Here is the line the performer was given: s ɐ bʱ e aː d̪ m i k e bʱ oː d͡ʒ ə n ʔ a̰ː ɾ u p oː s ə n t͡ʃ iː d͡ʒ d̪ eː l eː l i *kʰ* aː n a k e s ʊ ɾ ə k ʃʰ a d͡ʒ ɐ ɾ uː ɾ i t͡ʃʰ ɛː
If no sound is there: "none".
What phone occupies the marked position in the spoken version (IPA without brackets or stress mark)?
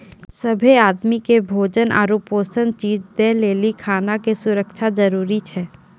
kʰ